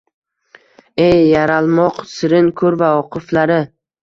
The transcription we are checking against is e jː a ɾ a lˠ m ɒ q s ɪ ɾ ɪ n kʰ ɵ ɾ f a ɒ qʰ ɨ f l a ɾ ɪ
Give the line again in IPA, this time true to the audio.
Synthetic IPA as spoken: e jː a ɾ a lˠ m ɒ q s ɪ ɾ ɪ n kʰ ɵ ɾ v a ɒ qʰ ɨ f l a ɾ ɪ